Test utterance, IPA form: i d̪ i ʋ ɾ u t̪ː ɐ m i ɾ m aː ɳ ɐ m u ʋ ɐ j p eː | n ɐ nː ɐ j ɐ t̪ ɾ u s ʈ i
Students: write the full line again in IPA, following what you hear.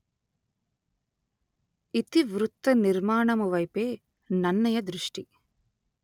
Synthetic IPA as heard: i t̪ i ʋ ɾ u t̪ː ɐ n i ɾ m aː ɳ ɐ m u ʋ ɐ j p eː | n ɐ nː ɐ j ɐ d̪ ɾ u ʂ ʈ i